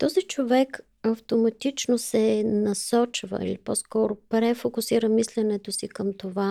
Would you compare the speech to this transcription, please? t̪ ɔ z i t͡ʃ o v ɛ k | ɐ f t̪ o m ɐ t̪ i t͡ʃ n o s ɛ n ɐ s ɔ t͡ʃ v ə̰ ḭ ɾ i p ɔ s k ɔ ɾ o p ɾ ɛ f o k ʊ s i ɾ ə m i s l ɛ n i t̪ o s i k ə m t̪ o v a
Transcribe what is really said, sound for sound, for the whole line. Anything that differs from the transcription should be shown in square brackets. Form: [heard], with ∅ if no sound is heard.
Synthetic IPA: t̪ ɔ z i t͡ʃ o v ɛ k | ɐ f t̪ o m ɐ t̪ i t͡ʃ n o s ɛ n ɐ s ɔ t͡ʃ v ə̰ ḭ [l] i p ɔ s k ɔ ɾ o p ɾ ɛ f o k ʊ s i ɾ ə m i s l ɛ n [ɛ] t̪ o s i k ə m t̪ o v a